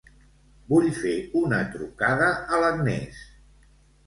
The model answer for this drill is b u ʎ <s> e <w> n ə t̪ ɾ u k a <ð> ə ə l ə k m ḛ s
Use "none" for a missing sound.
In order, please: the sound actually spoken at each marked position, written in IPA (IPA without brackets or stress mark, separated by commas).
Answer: f, u, ð